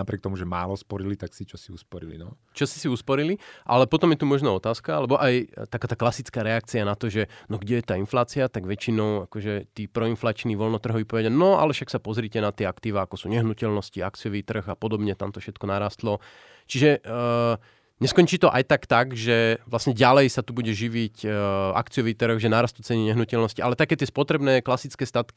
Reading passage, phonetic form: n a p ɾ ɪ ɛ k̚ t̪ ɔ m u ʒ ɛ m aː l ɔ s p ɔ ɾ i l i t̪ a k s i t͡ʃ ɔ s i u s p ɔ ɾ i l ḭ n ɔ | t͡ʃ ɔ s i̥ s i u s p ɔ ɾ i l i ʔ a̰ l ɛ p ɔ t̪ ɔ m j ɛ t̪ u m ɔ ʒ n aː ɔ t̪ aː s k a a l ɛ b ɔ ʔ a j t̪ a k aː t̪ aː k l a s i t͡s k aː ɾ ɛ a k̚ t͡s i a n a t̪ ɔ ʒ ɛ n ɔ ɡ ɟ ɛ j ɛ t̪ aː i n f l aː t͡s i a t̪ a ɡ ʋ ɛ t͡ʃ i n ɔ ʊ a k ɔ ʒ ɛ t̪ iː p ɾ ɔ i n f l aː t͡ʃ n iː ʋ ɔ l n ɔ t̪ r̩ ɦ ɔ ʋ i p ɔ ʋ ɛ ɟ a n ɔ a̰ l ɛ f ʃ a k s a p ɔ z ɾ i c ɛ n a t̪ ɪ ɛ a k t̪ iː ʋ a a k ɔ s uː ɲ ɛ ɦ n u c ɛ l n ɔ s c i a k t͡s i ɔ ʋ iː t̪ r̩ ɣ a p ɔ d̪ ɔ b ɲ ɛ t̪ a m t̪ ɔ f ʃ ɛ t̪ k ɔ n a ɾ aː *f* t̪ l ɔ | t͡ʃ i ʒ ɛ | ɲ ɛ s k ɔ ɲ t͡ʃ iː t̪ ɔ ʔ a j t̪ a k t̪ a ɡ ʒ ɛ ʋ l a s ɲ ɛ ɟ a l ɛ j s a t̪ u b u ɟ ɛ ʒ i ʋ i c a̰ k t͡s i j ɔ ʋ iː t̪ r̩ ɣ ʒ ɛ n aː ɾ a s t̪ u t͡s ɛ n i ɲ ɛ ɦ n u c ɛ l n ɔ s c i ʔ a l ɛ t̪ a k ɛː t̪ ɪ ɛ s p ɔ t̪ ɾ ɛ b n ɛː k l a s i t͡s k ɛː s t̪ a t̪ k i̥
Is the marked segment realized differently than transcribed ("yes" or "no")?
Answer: yes